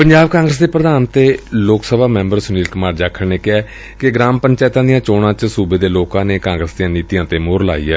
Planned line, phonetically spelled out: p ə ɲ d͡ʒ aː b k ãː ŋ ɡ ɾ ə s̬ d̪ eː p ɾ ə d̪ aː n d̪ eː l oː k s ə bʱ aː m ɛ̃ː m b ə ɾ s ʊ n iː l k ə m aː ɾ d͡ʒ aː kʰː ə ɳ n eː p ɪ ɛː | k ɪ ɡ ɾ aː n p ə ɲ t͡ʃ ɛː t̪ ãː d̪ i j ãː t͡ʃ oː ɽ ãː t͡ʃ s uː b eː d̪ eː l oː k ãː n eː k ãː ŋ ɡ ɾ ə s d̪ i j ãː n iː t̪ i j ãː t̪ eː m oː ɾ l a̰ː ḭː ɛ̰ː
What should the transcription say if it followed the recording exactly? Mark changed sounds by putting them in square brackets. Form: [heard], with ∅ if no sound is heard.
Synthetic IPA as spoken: p ə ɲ d͡ʒ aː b k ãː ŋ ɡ ɾ ə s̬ d̪ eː p ɾ ə d̪ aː n [t̪] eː l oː k s ə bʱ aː m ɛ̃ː m b ə ɾ s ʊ n iː l k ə m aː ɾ d͡ʒ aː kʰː ə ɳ n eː [k] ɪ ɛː | k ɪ ɡ ɾ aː [m] p ə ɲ t͡ʃ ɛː t̪ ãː d̪ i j ãː t͡ʃ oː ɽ ãː t͡ʃ s uː b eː d̪ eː l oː k ãː n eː k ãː ŋ ɡ ɾ ə s d̪ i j ãː n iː t̪ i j ãː t̪ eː m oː ɾ l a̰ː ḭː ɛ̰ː